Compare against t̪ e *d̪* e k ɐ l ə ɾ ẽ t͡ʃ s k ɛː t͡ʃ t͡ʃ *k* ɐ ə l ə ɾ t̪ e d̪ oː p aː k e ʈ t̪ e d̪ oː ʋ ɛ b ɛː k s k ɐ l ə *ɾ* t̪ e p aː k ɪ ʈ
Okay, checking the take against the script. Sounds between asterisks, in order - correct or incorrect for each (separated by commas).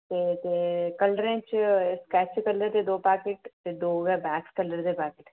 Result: incorrect, correct, correct